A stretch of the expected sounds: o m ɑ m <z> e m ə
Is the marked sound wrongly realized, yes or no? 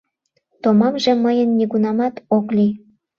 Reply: yes